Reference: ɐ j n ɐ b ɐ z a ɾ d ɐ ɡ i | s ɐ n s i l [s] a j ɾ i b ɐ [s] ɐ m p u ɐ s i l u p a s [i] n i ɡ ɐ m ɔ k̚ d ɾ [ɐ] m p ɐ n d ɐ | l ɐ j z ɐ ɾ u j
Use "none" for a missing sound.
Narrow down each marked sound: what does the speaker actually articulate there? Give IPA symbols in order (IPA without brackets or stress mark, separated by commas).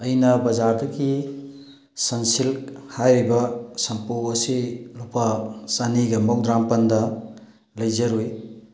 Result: h, s, a, a